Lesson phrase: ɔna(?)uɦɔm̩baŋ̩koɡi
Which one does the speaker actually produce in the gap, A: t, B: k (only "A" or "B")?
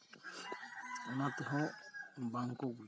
A